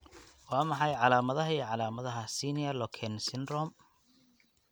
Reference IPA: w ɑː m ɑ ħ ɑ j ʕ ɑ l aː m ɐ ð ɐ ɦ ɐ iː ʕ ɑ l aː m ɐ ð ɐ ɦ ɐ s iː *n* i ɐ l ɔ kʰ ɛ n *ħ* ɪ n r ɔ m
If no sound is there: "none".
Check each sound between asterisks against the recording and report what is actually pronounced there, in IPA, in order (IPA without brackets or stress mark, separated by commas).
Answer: n, s